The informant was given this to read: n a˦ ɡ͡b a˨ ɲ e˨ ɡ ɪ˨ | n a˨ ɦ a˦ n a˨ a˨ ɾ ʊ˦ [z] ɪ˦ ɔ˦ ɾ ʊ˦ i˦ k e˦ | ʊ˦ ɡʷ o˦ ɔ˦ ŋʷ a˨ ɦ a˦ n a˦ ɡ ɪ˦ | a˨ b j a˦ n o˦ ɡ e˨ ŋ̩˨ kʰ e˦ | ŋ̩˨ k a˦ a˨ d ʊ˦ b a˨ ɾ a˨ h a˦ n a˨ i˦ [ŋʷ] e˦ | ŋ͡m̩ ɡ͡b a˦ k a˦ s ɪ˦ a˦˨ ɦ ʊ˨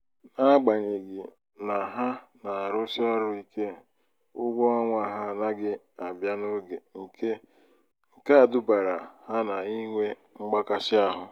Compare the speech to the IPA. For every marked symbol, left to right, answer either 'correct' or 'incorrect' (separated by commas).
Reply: incorrect, correct